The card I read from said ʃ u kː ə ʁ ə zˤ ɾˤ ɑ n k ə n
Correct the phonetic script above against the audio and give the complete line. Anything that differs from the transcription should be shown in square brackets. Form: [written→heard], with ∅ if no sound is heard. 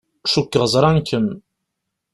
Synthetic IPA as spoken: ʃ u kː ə ʁ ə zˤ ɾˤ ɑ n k ə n